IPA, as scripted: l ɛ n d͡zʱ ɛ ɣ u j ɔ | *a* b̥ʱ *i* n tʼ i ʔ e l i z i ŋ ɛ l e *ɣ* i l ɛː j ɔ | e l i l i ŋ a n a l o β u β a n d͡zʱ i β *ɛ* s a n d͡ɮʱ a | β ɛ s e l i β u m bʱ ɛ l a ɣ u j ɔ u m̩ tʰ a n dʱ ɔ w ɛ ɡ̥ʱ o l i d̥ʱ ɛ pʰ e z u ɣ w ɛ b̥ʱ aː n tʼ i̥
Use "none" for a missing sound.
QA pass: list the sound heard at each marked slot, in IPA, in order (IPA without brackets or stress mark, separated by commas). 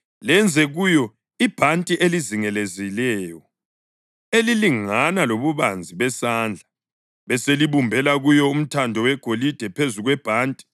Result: i, a, z, ɛ